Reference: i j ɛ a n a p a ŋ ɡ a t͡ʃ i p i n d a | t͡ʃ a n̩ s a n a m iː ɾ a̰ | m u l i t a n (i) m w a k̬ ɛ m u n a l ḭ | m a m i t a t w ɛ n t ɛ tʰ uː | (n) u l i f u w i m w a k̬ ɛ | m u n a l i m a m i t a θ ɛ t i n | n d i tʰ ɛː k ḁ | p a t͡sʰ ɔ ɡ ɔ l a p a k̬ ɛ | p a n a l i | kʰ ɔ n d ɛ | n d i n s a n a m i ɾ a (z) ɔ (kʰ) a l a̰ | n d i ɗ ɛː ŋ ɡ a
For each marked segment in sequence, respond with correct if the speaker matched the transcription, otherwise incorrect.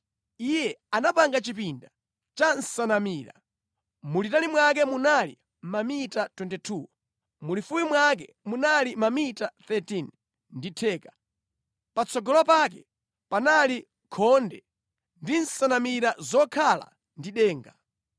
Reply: correct, incorrect: m, correct, correct

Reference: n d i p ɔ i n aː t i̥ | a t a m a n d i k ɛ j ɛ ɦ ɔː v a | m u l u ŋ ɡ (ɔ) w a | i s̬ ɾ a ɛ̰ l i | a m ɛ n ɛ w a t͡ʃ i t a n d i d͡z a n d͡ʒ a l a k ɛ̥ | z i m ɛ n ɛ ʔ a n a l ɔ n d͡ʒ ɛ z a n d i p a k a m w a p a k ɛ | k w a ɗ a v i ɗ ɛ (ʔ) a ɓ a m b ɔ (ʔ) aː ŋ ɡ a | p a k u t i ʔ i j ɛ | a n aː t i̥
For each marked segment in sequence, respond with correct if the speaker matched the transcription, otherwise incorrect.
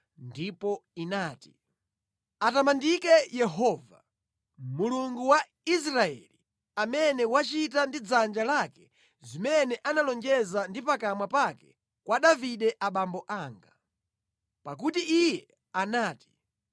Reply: incorrect: u, correct, correct

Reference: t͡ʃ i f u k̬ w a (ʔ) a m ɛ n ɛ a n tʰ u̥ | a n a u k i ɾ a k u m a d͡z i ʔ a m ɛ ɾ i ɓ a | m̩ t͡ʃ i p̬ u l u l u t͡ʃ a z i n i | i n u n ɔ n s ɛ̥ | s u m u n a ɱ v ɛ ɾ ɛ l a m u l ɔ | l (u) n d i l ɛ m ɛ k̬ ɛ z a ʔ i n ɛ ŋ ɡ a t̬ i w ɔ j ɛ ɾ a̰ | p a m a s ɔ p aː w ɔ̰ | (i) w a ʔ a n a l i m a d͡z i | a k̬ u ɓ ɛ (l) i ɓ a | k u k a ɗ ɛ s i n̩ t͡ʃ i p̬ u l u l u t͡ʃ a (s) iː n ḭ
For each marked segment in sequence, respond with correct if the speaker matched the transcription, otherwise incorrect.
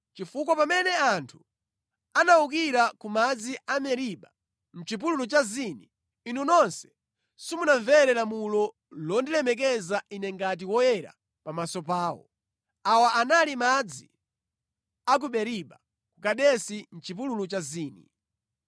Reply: incorrect: p, incorrect: ɔ, incorrect: a, incorrect: ɾ, incorrect: z

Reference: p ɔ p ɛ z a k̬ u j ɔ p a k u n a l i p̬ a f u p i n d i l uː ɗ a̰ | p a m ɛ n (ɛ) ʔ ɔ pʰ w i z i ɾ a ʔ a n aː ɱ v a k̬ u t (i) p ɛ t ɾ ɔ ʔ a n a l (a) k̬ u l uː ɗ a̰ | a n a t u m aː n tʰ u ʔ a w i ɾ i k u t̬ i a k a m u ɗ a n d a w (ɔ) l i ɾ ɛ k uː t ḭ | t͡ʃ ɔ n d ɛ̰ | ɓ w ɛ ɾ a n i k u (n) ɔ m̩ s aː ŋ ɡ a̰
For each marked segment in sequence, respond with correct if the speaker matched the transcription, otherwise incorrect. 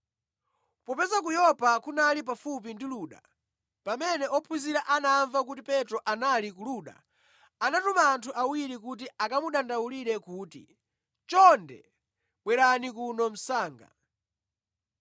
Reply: correct, correct, incorrect: i, incorrect: u, correct

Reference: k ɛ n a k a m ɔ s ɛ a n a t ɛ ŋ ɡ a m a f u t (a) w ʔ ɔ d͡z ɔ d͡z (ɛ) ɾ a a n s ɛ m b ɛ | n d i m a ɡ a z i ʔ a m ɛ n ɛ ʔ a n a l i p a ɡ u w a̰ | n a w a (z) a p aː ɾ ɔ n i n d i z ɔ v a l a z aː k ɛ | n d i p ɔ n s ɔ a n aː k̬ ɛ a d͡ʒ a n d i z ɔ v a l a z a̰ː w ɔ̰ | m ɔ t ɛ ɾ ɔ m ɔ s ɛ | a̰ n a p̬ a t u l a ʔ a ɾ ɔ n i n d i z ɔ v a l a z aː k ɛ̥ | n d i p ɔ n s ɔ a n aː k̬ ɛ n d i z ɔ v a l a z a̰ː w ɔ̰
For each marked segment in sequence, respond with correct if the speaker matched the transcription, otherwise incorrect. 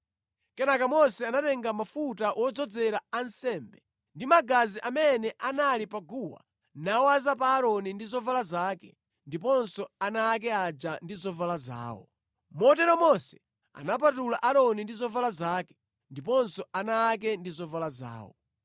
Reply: correct, correct, correct

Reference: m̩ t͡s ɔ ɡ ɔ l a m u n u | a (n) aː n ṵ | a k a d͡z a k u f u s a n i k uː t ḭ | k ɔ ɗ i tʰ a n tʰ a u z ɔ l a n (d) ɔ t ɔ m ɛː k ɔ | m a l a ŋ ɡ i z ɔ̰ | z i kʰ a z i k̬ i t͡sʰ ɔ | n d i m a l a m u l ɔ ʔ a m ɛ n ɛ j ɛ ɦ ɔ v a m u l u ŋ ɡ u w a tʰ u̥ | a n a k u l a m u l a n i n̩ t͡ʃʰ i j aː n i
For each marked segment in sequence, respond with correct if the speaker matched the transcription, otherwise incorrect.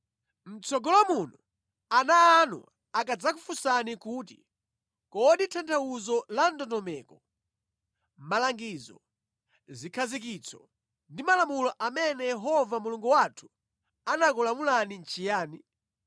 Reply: correct, correct

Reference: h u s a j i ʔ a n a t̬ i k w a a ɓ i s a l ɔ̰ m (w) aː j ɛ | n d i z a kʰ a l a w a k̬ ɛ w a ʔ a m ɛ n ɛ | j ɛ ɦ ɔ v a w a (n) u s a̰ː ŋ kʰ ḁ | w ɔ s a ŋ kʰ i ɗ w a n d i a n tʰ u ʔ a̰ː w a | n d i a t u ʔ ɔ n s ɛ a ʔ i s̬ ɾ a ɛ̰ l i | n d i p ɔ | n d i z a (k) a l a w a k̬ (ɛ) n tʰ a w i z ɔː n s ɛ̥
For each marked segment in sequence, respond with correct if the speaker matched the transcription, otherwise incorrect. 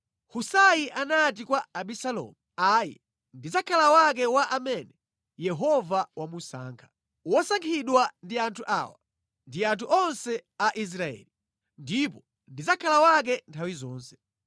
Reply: incorrect: u, incorrect: m, incorrect: kʰ, correct

